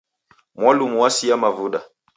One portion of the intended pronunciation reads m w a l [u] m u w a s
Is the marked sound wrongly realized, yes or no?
no